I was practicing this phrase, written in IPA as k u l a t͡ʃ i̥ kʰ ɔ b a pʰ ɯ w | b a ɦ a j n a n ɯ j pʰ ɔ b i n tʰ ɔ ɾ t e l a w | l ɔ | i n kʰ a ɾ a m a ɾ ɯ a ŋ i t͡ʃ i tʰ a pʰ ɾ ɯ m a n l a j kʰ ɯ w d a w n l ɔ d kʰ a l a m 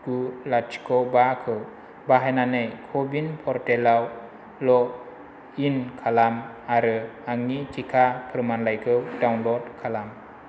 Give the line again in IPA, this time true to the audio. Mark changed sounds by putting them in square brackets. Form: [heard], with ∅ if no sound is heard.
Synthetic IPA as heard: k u l a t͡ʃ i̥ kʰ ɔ b a [kʰ] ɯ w | b a ɦ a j n a n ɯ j [kʰ] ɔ b i n [pʰ] ɔ ɾ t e l a w | l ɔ | i n kʰ a [l] a m a ɾ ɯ a ŋ i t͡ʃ i [kʰ] a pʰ ɾ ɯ m a n l a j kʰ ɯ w d a w n l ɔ d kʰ a l a m